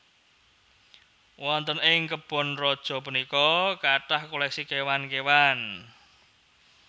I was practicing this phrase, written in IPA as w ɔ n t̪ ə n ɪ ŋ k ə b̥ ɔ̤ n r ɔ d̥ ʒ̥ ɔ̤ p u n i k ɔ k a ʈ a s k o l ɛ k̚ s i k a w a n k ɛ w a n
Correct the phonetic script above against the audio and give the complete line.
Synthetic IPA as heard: w ɔ n t̪ ə n ɪ ŋ k ə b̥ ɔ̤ n r ɔ d̥ ʒ̥ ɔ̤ p u n i k ɔ k a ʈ a h k o l ɛ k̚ s i k e w a n k e w a n